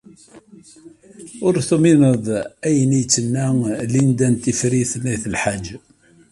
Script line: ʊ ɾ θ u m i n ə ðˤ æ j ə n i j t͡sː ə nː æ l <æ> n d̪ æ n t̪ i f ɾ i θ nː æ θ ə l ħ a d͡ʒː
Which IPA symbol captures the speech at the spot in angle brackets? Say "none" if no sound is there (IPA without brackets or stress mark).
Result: i